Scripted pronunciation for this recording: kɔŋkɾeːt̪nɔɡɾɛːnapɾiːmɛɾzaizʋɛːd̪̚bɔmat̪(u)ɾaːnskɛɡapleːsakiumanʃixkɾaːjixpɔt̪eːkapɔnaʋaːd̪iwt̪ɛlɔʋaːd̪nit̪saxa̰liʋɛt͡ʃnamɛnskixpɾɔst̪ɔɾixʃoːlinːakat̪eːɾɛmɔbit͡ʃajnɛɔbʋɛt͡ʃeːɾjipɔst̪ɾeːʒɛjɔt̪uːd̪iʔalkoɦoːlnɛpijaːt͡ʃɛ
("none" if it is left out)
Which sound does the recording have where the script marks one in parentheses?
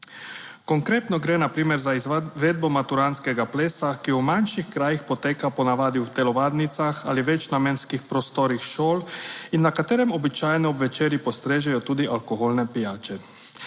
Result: u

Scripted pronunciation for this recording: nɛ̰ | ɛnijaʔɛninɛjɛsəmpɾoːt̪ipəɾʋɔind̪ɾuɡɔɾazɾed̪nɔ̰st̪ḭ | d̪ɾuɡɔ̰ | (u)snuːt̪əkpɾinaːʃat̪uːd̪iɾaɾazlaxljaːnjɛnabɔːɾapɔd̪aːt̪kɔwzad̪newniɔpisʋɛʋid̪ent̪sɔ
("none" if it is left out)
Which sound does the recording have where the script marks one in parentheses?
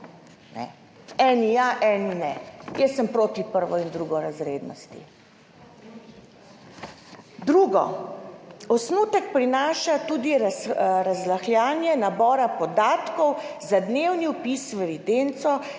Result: ɔ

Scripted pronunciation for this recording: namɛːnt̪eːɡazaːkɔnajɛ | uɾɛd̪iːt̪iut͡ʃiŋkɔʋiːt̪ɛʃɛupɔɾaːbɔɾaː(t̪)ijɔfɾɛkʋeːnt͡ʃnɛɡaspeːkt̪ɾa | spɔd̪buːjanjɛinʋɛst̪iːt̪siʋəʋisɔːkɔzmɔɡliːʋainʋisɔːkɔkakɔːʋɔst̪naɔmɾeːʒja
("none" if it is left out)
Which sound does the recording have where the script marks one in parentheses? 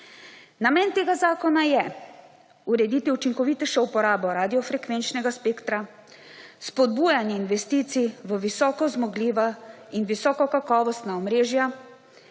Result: d̪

